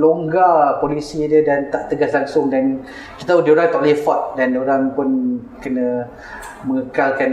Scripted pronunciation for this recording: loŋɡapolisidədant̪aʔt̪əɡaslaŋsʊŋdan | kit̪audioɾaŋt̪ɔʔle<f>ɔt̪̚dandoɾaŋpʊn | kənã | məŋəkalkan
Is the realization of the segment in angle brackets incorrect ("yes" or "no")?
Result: no